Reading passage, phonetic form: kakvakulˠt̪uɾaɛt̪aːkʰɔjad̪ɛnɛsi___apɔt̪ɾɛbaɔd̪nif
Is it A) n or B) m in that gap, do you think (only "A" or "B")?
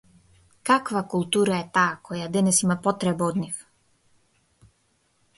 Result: B